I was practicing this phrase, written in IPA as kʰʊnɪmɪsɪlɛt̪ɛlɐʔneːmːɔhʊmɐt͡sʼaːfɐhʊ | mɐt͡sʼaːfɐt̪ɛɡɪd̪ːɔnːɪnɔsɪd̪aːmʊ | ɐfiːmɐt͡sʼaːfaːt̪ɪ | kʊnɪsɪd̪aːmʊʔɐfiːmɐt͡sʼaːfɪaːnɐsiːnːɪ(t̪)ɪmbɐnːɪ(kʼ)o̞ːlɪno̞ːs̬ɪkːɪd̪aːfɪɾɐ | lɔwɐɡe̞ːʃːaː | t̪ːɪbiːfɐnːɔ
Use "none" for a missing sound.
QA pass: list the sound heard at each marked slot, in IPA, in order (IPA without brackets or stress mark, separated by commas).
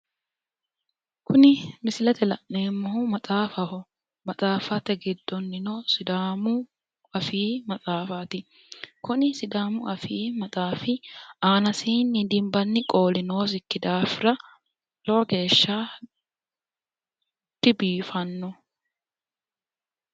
d̪, kʼ